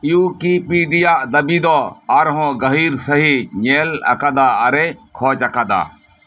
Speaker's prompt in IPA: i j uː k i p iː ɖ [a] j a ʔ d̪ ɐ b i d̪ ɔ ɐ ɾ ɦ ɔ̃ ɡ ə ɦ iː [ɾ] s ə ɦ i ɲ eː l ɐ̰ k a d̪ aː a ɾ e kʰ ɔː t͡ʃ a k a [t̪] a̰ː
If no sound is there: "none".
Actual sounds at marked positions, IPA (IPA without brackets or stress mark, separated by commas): i, ɾ, d̪